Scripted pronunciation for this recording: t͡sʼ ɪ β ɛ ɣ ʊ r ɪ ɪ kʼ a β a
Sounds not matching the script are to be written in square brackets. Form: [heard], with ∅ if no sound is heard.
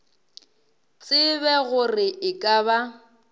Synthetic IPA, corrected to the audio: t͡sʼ ɪ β ɛ ɣ ʊ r ɪ ɪ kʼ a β a